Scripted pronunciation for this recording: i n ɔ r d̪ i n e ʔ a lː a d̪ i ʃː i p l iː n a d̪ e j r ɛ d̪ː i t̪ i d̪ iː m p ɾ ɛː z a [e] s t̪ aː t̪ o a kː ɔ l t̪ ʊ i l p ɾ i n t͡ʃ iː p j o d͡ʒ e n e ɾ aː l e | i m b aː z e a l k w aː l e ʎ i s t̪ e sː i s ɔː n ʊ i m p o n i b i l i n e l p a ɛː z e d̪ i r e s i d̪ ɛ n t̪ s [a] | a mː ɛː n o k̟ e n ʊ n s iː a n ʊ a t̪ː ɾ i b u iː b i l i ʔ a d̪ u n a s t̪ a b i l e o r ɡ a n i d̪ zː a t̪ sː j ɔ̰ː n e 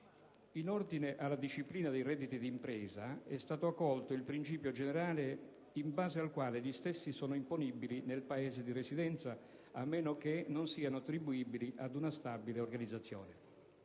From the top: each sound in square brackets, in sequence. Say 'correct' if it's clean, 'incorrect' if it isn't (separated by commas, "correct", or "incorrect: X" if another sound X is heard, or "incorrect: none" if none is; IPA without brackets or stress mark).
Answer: incorrect: ɛ, correct